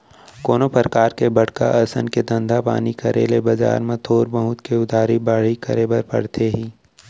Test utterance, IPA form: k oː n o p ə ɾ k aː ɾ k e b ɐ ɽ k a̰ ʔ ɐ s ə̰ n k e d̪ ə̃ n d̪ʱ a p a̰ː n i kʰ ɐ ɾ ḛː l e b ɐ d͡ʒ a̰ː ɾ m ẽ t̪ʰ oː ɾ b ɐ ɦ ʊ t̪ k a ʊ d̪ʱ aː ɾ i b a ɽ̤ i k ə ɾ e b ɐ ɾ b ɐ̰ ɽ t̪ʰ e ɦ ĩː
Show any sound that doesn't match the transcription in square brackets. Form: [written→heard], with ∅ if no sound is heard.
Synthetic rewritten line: k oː n o p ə ɾ k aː ɾ k e b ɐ ɽ k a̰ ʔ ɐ s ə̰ n k e d̪ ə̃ n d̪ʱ a p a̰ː n i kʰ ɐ ɾ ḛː l e b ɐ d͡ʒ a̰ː ɾ m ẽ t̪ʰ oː ɾ b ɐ ɦ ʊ t̪ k [a→e] ʊ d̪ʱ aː ɾ i b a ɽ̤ i k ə ɾ e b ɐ ɾ [b→p] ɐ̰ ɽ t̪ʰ e ɦ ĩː